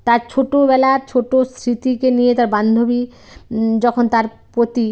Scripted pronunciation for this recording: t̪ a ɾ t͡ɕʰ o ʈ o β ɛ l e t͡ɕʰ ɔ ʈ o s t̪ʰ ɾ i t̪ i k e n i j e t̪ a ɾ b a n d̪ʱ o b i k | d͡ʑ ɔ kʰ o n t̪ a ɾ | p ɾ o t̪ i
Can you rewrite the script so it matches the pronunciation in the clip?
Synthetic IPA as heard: t̪ a ɾ t͡ɕʰ o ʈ o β ɛ l a t͡ɕʰ o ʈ o s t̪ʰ ɾ i t̪ i k e n i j e t̪ a ɾ b a n d̪ʱ o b i | d͡ʑ ɔ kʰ o n t̪ a ɾ | p ɾ o t̪ i